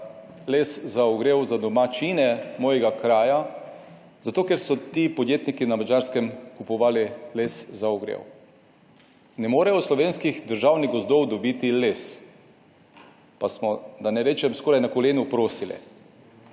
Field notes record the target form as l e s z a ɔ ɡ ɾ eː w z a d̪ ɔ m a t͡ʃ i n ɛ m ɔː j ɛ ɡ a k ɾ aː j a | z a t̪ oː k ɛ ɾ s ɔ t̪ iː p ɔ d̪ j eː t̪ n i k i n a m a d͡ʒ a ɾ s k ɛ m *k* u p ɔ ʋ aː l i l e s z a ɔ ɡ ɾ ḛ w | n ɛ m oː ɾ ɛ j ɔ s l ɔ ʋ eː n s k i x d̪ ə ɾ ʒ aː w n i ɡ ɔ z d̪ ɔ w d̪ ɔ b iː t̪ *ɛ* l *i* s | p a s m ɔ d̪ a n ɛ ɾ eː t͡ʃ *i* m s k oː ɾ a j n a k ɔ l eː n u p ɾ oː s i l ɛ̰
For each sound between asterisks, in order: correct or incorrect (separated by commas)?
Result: correct, incorrect, incorrect, incorrect